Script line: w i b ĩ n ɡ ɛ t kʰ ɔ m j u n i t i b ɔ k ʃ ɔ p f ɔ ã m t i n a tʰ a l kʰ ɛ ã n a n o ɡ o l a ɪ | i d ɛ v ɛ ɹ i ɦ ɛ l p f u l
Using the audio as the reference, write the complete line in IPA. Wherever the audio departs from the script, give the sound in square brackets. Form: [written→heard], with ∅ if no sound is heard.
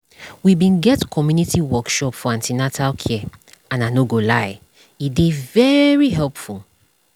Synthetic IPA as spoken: w i b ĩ n ɡ ɛ t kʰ ɔ m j u n i t i [b→w] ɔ k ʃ ɔ p f ɔ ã [m→n] t i n a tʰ a l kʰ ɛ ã n a n o ɡ o l a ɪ | i d [ɛ→e] v ɛ ɹ i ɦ ɛ l p f u l